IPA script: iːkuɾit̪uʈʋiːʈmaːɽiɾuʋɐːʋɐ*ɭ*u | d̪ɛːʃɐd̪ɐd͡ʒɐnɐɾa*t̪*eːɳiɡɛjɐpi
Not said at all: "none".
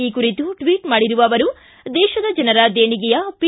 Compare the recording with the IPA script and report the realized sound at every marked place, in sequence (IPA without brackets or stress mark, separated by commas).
ɾ, d̪